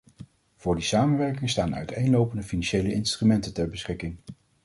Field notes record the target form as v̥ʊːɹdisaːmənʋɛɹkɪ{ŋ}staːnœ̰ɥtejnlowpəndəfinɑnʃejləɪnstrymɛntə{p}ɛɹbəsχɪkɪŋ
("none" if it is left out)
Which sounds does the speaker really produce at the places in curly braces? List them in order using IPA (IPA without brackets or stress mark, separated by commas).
ŋ, t